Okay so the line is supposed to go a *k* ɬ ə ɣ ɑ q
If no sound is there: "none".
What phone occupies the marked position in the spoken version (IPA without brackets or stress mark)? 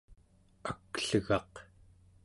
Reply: k